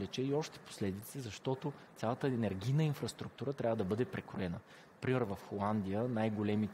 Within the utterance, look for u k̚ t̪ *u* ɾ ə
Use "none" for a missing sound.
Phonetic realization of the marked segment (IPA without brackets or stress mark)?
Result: u